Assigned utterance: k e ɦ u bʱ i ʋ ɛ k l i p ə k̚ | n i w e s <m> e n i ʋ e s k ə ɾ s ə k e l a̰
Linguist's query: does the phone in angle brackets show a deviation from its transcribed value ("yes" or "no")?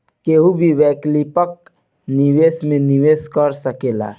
no